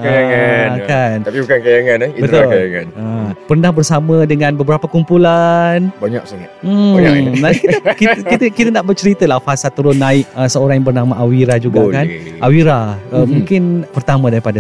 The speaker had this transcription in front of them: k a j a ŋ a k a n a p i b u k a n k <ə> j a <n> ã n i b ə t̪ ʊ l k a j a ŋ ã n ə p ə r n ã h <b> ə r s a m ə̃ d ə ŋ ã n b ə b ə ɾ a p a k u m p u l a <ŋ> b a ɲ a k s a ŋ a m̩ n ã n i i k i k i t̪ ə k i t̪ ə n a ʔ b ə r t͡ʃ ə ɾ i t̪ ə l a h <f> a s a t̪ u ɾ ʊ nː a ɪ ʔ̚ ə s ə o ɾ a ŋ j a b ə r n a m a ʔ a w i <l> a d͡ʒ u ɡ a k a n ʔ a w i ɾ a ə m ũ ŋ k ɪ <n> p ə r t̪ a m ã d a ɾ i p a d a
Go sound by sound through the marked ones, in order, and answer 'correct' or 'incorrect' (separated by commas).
incorrect, incorrect, correct, incorrect, correct, incorrect, correct